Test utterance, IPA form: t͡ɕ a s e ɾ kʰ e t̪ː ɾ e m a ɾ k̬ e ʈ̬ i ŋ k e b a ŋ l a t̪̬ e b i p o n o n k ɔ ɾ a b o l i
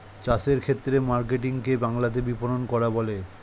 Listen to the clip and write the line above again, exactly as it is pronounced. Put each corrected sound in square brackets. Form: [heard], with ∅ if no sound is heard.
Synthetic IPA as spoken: t͡ɕ a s e ɾ kʰ e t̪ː ɾ e m a ɾ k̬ e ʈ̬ i ŋ k e b a ŋ l a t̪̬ e b i p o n o n k ɔ ɾ a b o l [e]